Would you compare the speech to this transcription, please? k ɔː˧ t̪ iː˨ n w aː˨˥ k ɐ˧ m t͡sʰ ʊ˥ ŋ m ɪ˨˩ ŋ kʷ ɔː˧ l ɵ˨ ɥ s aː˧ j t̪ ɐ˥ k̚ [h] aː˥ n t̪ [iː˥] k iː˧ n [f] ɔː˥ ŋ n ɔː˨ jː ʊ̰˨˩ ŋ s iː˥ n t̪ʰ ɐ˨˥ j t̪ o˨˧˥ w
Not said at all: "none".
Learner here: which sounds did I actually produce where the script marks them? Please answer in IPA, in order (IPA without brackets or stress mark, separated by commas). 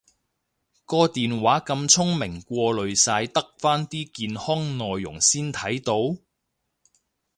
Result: f, iː˥, h